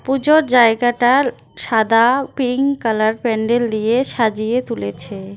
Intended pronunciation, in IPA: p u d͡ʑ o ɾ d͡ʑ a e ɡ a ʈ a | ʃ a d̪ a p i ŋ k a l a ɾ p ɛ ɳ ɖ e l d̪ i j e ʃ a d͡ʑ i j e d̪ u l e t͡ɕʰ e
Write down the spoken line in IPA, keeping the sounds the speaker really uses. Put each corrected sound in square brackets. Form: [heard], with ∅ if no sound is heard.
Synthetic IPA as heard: p u d͡ʑ o ɾ d͡ʑ a e ɡ a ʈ a | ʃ a d̪ a p i ŋ k a l a ɾ p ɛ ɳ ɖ e l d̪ i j e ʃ a d͡ʑ i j e [t̪] u l e t͡ɕʰ e